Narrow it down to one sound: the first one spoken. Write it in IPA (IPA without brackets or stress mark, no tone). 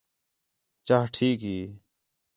t͡ʃ